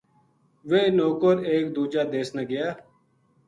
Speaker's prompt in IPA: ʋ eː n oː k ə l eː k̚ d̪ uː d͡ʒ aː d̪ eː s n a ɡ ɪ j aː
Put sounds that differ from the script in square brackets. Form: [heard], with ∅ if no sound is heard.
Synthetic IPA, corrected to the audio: ʋ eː n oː k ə [ɾ] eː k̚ d̪ uː d͡ʒ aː d̪ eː s n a ɡ ɪ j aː